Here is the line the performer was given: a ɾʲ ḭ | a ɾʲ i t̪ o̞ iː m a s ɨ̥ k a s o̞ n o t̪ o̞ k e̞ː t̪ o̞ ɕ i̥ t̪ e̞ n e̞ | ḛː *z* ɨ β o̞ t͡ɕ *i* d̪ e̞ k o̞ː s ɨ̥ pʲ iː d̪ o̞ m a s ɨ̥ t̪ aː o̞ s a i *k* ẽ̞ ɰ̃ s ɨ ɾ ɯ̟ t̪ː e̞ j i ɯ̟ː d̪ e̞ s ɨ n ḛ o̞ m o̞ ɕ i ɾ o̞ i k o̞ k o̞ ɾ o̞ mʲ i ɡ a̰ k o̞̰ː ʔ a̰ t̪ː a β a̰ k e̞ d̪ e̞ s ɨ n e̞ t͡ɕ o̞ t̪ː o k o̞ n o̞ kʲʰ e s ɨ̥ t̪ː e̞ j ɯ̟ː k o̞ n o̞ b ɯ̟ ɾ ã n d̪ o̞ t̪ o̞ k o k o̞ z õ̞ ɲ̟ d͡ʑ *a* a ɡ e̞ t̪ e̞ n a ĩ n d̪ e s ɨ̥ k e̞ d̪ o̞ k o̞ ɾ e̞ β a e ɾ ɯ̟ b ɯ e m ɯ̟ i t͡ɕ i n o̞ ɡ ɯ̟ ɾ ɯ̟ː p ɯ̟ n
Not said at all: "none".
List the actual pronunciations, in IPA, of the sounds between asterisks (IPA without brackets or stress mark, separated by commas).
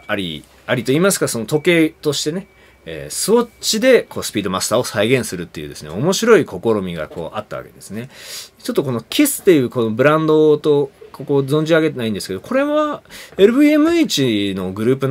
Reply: s, i, ɡ, i